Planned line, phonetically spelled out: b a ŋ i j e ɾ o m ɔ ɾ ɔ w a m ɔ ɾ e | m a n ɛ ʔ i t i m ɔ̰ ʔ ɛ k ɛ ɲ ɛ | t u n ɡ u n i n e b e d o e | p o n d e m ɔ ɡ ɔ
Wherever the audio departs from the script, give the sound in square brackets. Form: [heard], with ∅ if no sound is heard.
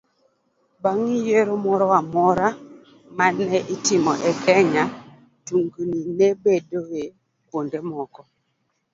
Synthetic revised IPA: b a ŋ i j e ɾ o m ɔ ɾ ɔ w a m ɔ ɾ [a] | m a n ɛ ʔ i t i m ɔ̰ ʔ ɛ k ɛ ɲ [a] | t u [ŋ] ɡ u n i n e b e d o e | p o n d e m ɔ [k] ɔ